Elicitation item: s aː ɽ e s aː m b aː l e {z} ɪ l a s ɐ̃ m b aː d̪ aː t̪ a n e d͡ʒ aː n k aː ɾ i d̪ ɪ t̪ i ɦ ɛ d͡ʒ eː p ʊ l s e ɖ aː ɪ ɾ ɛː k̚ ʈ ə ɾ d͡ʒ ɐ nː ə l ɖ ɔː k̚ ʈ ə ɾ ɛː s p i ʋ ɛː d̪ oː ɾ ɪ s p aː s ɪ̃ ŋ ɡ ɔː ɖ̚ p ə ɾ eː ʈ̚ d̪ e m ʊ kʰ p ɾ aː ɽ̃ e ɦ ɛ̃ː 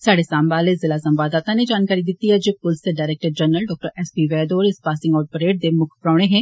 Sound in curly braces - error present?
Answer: no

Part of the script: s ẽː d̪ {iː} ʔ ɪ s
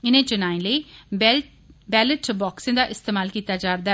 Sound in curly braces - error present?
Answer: yes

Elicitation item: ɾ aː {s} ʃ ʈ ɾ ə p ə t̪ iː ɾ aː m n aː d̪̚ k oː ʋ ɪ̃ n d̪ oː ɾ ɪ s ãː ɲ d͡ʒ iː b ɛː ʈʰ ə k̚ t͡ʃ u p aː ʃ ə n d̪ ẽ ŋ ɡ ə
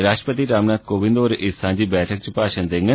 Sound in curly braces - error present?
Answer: yes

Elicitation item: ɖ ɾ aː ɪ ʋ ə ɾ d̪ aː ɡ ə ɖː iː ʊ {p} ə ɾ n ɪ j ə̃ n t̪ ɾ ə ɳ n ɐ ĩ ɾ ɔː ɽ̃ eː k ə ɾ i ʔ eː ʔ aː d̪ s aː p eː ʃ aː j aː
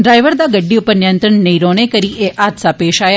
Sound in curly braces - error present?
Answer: no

